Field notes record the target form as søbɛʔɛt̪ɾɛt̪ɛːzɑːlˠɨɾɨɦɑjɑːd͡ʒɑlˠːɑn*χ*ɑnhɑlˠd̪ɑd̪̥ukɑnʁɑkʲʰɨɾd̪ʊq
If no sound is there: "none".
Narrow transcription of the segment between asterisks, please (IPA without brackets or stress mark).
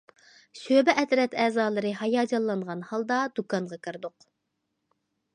ʁ